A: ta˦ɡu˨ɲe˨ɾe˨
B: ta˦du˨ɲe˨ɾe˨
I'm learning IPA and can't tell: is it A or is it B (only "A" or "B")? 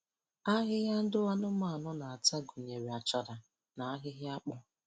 A